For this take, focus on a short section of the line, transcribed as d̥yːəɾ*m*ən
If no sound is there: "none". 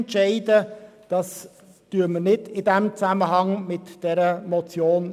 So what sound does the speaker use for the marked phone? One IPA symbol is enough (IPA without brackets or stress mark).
m